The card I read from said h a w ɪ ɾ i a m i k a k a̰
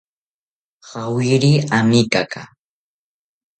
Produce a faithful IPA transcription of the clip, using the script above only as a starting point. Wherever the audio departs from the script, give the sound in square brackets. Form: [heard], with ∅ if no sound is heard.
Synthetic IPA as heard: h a w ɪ ɾ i a m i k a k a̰